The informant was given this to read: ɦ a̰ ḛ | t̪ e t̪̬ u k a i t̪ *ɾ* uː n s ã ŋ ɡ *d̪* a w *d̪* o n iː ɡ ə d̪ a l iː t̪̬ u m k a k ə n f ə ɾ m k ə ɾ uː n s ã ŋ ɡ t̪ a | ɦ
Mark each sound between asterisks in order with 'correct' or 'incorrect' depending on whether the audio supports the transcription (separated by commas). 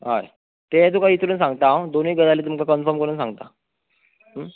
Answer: correct, incorrect, correct